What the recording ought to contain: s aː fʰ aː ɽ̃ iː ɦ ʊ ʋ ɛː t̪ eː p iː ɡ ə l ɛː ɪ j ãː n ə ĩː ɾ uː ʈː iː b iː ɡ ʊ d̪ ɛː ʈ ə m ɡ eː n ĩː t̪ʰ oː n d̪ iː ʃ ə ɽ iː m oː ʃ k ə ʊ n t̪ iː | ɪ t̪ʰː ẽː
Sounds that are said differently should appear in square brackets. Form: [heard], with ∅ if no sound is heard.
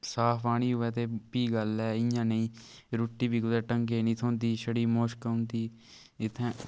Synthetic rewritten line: s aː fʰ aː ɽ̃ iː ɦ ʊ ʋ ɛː t̪ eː p iː ɡ ə l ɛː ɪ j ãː n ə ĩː ɾ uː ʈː iː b iː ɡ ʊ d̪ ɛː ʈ ə [ŋ] ɡ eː n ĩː t̪ʰ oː n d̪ iː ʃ ə ɽ iː m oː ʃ k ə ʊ n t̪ iː | ɪ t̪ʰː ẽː